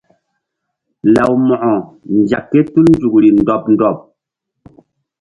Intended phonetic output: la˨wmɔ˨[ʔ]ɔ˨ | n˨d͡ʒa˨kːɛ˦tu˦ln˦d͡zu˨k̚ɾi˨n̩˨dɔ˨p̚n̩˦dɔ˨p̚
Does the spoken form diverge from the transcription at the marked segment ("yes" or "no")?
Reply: no